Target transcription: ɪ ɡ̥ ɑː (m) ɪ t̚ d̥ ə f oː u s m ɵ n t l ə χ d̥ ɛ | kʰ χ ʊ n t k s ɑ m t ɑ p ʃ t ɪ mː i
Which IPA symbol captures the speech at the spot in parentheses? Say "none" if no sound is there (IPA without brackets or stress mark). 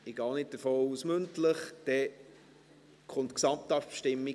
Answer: n